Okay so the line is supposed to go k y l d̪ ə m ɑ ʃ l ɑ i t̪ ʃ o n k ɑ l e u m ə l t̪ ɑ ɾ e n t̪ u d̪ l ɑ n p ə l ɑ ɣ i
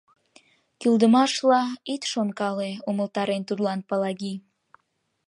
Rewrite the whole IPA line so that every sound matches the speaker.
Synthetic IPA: k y l d̪ ə m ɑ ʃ l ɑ i t̪ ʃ o n k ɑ l e u m ə l t̪ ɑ ɾ e n t̪ u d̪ l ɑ n p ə l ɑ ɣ i